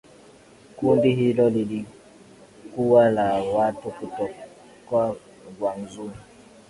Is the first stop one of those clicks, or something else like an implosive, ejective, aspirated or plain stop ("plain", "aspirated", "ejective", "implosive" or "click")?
plain